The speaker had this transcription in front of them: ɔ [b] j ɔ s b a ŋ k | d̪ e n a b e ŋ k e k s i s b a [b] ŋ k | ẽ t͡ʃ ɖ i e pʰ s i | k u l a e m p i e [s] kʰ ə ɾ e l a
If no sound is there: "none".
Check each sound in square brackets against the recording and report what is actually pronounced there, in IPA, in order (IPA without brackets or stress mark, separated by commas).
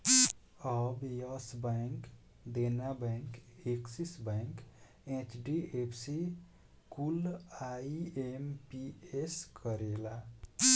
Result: b, none, s